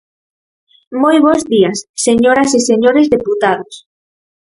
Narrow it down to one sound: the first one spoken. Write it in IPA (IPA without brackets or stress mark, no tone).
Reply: m